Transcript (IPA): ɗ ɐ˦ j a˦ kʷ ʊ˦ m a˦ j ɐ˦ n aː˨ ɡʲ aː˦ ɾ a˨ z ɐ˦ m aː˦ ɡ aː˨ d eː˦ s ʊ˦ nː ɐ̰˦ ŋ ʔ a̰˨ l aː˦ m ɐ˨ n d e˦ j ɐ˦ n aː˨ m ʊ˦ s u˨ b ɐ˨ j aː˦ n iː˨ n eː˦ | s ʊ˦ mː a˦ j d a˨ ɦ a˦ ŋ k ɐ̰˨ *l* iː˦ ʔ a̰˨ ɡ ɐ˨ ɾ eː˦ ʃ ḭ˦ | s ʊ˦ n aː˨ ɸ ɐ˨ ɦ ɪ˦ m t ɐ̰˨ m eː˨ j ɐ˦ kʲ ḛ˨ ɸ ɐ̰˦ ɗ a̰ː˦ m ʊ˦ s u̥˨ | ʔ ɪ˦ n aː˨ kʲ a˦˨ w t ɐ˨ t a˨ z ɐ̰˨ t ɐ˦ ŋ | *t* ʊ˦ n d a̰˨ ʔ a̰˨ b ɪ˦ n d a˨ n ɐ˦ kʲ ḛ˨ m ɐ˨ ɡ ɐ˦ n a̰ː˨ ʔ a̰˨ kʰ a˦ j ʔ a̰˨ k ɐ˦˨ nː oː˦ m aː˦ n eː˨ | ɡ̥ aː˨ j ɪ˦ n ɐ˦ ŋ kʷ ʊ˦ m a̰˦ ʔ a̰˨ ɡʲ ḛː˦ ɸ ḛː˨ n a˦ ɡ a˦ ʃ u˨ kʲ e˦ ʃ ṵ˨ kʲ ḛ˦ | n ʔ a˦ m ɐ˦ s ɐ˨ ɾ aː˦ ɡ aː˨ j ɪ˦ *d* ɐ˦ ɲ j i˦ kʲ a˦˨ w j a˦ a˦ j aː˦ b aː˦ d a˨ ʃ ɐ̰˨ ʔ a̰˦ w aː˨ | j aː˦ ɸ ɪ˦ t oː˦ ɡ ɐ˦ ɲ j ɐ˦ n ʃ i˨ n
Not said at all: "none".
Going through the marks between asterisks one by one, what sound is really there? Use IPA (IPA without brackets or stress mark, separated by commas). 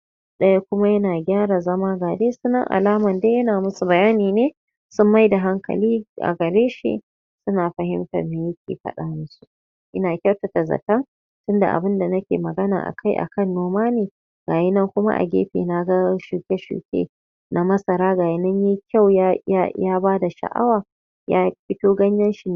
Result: l, t, n